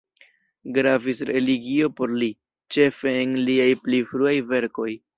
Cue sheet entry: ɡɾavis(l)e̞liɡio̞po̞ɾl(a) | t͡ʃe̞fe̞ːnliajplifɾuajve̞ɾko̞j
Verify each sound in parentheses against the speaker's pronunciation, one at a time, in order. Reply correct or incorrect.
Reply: incorrect: ɾ, incorrect: i

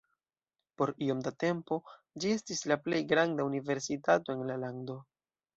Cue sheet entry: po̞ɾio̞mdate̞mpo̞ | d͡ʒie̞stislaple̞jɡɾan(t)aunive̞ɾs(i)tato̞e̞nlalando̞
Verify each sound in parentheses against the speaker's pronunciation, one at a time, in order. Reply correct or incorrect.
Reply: incorrect: d, correct

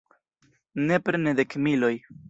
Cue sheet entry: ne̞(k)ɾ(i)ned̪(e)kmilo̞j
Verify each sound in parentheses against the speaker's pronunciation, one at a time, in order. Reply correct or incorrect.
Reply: incorrect: p, incorrect: e, correct

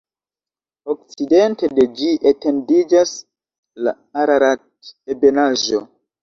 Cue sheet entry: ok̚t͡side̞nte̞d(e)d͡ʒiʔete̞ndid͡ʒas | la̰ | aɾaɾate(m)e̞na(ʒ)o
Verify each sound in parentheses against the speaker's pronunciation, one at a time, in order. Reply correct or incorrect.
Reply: correct, incorrect: b, correct

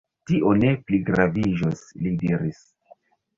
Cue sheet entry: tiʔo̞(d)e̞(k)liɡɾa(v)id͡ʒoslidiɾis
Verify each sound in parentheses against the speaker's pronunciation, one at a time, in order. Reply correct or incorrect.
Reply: incorrect: n, incorrect: p, correct

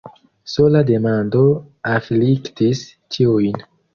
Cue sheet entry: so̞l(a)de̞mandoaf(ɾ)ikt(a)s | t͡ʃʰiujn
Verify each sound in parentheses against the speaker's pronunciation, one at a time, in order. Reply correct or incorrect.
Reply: correct, incorrect: l, incorrect: i

